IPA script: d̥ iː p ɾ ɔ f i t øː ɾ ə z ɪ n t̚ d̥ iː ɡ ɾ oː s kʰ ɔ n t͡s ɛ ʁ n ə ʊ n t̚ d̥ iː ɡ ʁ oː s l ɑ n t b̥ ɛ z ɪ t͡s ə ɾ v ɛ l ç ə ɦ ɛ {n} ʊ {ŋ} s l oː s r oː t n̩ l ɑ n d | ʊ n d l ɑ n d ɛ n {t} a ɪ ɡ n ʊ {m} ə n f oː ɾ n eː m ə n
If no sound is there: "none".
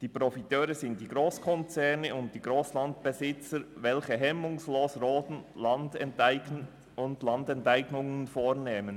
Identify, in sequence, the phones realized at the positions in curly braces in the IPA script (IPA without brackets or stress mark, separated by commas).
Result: m, ŋ, t, ŋ